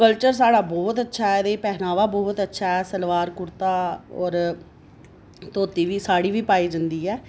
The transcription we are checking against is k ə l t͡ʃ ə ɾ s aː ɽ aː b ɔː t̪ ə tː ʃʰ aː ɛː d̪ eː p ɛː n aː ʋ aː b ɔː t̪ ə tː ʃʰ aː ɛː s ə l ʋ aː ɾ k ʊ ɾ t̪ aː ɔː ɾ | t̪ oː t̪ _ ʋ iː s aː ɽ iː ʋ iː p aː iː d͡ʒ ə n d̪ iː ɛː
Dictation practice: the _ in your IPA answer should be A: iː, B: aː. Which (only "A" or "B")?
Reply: A